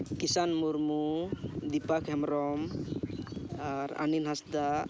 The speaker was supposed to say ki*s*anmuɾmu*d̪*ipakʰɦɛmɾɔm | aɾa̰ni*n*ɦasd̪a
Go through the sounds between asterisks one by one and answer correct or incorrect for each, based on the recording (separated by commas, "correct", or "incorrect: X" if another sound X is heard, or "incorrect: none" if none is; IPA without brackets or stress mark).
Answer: correct, correct, correct